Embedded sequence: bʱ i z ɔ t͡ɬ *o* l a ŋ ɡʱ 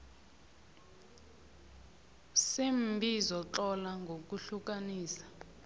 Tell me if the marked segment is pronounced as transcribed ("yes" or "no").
no